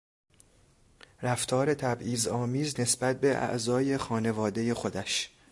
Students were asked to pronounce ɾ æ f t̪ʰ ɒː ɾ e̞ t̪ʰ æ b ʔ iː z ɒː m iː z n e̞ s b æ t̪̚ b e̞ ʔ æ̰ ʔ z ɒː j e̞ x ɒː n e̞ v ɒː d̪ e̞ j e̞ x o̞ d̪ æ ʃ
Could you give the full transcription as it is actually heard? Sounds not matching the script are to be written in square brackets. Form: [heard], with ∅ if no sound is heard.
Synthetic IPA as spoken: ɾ æ f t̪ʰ ɒː ɾ e̞ t̪ʰ æ b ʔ iː z ɒː m iː z n e̞ s b æ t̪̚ b e̞ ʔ æ̰ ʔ z ɒː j e̞ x ɒː n e̞ v ɒː d̪ e̞ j e̞ x o̞ d̪ æ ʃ